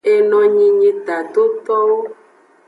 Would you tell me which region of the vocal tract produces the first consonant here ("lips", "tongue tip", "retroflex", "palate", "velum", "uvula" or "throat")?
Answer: tongue tip